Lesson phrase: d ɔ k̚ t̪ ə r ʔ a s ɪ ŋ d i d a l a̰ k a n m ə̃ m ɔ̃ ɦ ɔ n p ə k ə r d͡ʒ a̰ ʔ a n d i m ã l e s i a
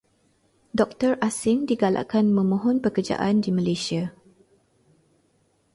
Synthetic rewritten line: d ɔ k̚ t̪ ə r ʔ a s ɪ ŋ d i ɡ a l a̰ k a n m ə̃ m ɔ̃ ɦ ɔ n p ə k ə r d͡ʒ a̰ ʔ a n d i m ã l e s i a